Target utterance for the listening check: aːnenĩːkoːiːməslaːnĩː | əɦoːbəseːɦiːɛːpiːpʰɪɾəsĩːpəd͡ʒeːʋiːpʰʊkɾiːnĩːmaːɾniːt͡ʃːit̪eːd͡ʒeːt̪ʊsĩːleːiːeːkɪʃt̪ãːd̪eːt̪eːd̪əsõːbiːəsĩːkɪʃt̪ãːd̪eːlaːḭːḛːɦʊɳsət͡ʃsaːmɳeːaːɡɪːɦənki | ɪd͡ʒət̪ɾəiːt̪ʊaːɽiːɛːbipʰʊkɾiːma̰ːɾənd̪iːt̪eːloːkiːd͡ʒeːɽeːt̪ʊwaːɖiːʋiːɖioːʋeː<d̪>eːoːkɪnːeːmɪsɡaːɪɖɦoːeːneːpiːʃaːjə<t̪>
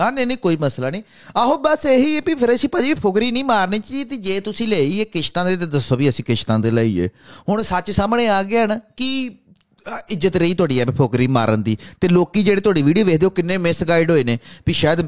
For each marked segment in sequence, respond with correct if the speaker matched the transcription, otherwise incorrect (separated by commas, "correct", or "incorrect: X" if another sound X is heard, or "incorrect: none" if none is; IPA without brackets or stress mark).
correct, incorrect: d̪